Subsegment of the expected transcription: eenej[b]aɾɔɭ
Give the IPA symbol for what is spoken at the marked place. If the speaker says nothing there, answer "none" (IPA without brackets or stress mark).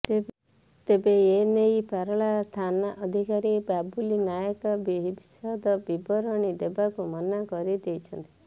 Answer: p